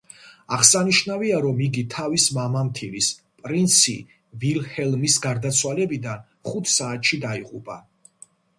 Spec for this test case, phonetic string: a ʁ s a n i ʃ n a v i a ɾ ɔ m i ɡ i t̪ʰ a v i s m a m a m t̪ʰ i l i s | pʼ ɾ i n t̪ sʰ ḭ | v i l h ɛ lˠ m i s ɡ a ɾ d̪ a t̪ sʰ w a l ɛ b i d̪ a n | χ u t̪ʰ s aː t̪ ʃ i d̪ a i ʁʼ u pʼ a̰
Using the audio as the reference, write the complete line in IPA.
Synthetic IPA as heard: a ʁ s a n i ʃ n a v i a ɾ ɔ m i ɡ i t̪ʰ a v i s m a m a m t̪ʰ i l i s | pʼ ɾ i n t̪ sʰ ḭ | v i l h ɛ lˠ m i s ɡ a ɾ d̪ a t̪ sʰ w a l ɛ b i d̪ a n | χ u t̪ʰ s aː t̪ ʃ i d̪ a i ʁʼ u pʼ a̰